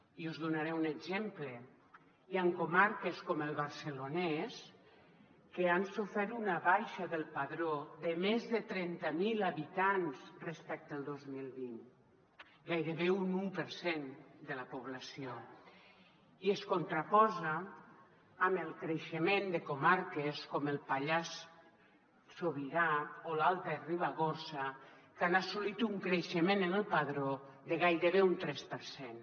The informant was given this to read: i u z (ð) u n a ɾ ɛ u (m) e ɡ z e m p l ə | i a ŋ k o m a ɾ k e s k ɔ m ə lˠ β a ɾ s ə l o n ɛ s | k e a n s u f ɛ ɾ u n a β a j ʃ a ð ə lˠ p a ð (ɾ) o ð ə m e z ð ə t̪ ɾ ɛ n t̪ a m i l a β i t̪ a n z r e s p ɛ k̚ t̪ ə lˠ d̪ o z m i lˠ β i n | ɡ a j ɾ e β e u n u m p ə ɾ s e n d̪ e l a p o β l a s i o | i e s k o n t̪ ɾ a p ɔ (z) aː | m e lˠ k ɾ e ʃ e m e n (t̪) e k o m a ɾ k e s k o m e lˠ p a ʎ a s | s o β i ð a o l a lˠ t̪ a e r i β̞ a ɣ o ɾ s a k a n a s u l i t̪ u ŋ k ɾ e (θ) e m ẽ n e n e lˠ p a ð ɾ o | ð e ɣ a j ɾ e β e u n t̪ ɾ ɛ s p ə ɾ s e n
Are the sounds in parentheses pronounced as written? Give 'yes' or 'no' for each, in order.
yes, no, yes, yes, no, no

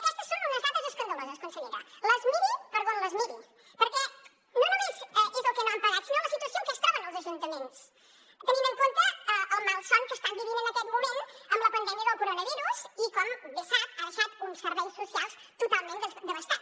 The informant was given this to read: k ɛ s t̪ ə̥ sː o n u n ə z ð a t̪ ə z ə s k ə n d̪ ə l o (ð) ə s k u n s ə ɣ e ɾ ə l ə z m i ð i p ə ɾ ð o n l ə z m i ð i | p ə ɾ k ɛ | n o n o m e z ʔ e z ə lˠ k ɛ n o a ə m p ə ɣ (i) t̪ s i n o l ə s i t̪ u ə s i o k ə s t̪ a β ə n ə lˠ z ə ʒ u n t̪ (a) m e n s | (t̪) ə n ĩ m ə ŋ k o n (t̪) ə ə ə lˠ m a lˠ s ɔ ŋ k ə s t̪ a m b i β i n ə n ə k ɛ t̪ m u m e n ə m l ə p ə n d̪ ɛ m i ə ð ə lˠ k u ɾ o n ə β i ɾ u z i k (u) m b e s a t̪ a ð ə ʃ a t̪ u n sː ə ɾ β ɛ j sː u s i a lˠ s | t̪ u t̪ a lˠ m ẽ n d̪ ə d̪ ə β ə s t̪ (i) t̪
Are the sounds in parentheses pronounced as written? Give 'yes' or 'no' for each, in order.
no, no, no, yes, yes, no, no

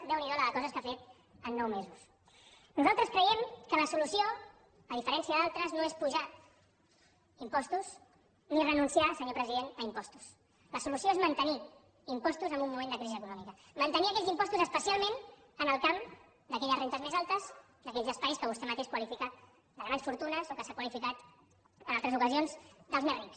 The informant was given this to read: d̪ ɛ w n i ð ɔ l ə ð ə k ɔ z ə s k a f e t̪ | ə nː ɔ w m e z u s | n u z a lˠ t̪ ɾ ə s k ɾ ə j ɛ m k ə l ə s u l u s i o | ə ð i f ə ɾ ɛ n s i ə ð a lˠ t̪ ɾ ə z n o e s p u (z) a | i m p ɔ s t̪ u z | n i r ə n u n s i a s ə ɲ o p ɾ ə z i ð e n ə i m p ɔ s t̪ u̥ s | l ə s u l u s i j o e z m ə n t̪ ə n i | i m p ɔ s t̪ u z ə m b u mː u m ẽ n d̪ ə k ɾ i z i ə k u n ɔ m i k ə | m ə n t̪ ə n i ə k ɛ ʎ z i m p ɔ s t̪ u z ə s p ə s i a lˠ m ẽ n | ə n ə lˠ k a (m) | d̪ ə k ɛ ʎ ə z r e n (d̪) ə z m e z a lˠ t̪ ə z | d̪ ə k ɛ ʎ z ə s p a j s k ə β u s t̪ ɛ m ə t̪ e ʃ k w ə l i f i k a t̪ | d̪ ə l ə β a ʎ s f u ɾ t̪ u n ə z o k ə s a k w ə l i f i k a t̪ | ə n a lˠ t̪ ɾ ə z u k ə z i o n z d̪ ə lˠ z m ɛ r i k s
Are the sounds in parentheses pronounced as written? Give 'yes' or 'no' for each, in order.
no, yes, no

